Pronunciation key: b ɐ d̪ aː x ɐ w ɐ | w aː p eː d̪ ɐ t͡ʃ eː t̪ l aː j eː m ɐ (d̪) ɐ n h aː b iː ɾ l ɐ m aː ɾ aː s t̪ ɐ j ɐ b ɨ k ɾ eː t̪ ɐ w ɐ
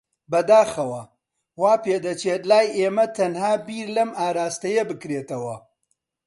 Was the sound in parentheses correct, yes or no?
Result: no